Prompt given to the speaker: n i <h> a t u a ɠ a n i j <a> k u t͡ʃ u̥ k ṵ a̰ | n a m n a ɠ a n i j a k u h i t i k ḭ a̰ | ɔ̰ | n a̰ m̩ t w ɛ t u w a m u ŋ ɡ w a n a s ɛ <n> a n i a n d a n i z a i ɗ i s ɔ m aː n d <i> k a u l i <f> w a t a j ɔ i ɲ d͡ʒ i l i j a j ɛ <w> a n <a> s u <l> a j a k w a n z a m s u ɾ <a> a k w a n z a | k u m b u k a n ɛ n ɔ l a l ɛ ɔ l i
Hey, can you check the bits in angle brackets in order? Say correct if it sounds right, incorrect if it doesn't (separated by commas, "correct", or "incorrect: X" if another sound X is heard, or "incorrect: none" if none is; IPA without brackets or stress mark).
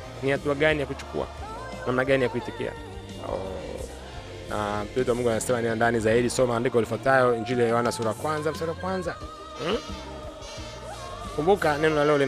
correct, correct, incorrect: m, correct, correct, correct, correct, incorrect: ɾ, correct